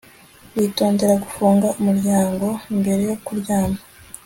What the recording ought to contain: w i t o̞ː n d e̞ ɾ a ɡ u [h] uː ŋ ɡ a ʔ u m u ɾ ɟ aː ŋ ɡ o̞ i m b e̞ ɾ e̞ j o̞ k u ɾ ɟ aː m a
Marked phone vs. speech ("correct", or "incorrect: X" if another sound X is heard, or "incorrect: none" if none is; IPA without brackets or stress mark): incorrect: f